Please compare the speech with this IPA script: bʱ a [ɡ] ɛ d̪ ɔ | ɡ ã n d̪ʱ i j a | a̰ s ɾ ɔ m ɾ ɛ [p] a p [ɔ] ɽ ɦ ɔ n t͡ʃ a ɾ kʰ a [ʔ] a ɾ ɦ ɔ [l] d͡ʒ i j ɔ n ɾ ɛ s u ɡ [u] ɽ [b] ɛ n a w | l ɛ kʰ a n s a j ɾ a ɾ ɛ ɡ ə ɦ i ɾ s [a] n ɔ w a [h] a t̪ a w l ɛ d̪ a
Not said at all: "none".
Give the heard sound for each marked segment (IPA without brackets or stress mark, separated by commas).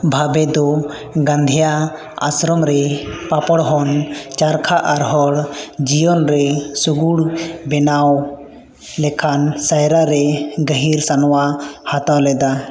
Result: b, p, ɔ, ʔ, ɽ, u, b, a, h